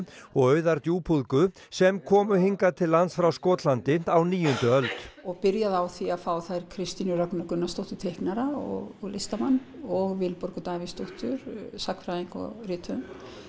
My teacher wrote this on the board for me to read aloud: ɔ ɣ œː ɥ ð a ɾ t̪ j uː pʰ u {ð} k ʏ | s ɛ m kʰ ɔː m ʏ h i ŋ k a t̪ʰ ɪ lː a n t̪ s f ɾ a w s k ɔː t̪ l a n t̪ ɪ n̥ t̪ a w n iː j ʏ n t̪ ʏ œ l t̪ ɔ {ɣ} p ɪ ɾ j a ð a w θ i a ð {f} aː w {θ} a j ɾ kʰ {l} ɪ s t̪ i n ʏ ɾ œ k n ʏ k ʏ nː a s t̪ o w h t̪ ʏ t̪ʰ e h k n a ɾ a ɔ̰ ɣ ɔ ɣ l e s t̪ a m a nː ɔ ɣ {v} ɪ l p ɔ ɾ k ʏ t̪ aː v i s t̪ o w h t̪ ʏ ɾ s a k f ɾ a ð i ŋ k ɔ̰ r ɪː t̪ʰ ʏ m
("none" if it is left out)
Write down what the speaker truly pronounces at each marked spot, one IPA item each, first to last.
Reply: ð, ɣ, f, θ, ɾ, v

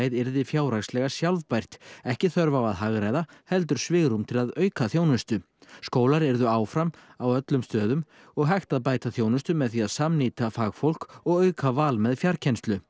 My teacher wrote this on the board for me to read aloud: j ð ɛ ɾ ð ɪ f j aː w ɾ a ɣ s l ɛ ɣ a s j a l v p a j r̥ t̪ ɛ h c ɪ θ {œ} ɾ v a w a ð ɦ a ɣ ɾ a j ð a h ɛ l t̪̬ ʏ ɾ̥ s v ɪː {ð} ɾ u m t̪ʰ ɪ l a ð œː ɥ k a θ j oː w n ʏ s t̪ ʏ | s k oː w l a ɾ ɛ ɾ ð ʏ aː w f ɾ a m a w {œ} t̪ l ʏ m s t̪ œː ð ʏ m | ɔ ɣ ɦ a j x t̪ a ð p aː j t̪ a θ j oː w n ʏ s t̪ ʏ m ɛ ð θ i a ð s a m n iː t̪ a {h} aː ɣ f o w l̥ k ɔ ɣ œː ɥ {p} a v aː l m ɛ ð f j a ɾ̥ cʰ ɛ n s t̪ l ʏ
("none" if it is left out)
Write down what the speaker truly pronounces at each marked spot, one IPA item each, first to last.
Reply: œ, ɣ, œ, f, k

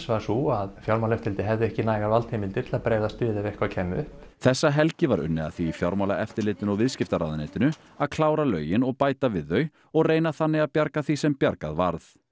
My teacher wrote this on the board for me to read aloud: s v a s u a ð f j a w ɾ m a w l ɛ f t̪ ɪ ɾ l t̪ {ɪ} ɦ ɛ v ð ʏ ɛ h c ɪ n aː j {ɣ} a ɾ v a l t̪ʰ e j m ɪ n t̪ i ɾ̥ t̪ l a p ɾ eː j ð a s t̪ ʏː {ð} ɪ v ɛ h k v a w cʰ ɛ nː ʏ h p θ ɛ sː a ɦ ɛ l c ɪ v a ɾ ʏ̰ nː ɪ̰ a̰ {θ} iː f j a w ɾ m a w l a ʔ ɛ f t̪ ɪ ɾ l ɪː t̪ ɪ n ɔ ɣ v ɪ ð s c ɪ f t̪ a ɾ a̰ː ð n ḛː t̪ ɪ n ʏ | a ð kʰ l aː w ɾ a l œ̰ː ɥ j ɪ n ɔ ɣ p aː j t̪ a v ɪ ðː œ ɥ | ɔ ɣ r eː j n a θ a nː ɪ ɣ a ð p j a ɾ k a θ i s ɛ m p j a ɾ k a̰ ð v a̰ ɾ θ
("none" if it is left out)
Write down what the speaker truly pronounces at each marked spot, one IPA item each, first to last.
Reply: ɪ, ɣ, ð, θ

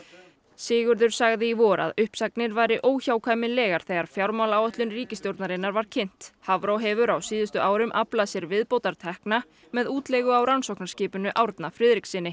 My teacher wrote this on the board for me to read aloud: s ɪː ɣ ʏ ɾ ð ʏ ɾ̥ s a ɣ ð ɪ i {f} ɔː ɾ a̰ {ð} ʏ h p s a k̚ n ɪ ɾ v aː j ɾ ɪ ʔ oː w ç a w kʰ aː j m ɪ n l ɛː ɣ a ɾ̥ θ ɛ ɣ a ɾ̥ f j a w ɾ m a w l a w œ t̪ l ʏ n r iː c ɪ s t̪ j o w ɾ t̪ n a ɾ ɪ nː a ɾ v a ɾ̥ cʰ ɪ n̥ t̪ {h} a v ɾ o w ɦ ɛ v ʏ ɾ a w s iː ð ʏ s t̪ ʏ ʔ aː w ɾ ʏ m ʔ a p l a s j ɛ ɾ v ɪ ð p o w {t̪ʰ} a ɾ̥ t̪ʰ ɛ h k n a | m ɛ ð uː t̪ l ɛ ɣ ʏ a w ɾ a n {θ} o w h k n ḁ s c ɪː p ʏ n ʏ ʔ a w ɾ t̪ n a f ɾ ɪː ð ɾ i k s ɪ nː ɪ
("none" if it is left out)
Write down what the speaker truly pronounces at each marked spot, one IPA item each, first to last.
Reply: v, ð, h, t̪, s

